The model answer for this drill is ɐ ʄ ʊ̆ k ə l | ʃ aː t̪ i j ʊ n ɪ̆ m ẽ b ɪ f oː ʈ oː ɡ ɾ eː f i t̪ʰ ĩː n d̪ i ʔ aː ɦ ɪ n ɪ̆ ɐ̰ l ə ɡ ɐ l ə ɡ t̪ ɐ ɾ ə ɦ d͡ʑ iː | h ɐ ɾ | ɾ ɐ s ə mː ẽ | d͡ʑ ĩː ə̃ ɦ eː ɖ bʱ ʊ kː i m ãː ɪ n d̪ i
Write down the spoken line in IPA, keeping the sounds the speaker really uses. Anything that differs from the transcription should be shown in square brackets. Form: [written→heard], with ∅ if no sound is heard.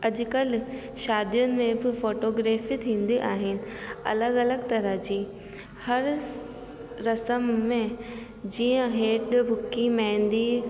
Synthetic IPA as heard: ɐ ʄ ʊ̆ k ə l | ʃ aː [t̪→d̪] i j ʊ n ɪ̆ m ẽ b ɪ f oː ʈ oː ɡ ɾ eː f i t̪ʰ ĩː n d̪ i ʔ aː ɦ ɪ n ɪ̆ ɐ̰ l ə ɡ ɐ l ə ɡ t̪ ɐ ɾ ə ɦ d͡ʑ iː | h ɐ ɾ | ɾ ɐ s ə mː ẽ | d͡ʑ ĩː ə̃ ɦ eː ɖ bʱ ʊ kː i m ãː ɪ n d̪ i